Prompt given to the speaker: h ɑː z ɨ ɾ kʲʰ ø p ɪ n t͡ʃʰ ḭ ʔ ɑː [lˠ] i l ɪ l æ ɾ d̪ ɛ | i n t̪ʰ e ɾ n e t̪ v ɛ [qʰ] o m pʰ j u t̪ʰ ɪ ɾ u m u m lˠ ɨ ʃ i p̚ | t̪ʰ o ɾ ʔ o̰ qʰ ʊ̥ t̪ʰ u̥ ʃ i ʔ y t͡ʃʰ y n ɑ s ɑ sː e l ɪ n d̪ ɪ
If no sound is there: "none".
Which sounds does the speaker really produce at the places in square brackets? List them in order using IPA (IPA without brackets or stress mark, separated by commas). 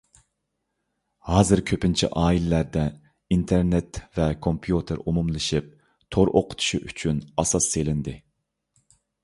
none, kʰ